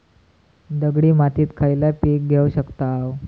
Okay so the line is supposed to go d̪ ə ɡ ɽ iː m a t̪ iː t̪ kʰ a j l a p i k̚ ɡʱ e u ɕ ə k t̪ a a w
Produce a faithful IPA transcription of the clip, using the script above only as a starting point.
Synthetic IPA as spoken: d̪ ə ɡ ɽ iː m a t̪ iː t̪ kʰ a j l a p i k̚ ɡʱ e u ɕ ə k t̪ a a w